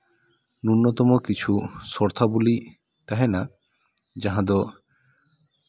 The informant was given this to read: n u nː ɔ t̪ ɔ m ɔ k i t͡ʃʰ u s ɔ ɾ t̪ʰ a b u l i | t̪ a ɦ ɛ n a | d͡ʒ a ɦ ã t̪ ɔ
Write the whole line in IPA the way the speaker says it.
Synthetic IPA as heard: n u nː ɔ t̪ ɔ m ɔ k i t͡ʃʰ u s ɔ ɾ t̪ʰ a b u l i | t̪ a ɦ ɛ n a | d͡ʒ a ɦ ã d̪ ɔ